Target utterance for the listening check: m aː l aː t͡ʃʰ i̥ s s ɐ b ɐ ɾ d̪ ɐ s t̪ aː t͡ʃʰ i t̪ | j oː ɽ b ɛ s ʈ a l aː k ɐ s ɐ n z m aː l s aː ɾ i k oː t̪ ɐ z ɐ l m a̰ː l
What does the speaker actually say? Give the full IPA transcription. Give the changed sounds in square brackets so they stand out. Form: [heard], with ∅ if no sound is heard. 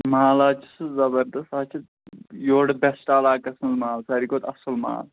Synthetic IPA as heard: m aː l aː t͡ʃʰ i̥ s [z] ɐ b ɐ ɾ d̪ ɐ s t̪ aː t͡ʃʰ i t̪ | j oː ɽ b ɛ s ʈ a l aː k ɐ s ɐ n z m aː l s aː ɾ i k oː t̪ ɐ [s] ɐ l m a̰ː l